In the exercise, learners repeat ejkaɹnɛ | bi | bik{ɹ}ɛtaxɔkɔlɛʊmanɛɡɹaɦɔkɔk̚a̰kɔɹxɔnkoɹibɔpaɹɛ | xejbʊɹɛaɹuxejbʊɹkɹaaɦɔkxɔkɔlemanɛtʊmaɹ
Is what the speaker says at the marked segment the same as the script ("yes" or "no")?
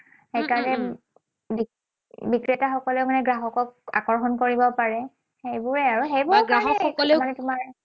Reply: yes